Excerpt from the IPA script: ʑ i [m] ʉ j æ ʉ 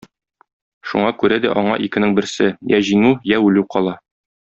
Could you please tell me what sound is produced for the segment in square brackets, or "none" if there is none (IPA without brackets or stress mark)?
ŋ